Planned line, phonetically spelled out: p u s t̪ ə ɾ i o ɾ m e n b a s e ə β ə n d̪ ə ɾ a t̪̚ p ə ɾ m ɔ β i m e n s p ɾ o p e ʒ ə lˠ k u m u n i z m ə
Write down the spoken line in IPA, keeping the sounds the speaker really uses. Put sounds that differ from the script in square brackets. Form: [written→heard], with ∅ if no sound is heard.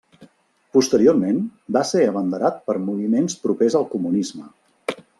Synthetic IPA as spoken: p u s t̪ ə ɾ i o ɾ m e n b a s e ə β ə n d̪ ə ɾ a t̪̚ p ə ɾ m [ɔ→u] β i m e n s p ɾ [o→u] p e [ʒ→z] ə lˠ k u m u n i z m ə